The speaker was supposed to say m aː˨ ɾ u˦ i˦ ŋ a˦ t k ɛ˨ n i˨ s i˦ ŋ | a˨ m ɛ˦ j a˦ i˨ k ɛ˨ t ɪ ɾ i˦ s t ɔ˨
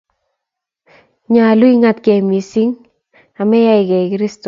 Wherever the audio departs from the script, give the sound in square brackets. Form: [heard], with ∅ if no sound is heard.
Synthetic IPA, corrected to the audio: [ɲ] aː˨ [l] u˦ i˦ ŋ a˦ t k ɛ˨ [m] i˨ s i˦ ŋ | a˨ m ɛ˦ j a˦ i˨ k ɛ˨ [k] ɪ ɾ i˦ s t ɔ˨